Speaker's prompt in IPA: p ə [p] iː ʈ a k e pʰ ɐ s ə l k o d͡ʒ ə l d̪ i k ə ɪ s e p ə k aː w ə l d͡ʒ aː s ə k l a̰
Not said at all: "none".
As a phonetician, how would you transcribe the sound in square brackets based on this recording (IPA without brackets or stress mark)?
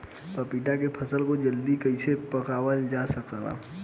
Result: p